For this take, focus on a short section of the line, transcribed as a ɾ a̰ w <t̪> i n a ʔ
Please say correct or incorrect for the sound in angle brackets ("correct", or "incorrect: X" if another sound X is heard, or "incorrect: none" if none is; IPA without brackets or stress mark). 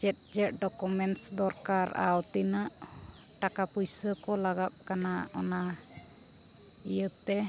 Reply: correct